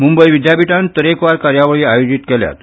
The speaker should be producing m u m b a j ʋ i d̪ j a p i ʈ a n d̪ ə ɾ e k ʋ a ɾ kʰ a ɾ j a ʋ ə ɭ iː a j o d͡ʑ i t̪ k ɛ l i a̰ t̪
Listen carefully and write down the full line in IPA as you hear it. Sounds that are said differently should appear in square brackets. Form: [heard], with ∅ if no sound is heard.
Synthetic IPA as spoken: m u m b [ə] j ʋ i d̪ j a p i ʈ a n [t̪] ə ɾ e k ʋ a ɾ [k] a ɾ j a ʋ ə ɭ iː a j o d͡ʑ i t̪ k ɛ l [j] a̰ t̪